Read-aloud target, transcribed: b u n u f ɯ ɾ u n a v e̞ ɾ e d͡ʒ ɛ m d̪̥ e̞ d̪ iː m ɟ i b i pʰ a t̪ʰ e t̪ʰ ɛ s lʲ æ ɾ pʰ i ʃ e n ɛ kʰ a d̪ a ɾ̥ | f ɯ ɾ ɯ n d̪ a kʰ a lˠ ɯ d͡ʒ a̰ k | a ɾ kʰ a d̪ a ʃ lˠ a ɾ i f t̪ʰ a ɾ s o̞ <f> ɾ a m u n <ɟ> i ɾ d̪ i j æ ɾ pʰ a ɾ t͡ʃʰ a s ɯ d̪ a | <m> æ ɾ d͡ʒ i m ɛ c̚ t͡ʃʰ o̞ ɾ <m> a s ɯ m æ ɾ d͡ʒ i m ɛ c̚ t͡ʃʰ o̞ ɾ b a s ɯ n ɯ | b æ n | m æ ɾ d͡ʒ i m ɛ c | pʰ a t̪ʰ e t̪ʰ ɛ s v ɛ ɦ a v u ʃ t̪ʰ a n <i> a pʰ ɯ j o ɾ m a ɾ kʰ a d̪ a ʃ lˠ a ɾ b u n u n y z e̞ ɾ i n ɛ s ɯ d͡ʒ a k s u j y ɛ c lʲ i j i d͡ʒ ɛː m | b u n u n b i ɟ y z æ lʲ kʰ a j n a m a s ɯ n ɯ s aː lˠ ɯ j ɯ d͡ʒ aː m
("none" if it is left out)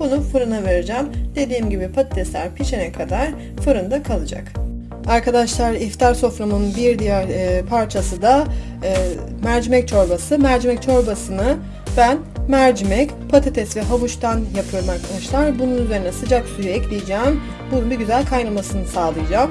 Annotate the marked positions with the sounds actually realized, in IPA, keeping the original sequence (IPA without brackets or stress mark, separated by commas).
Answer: f, b, m, b, j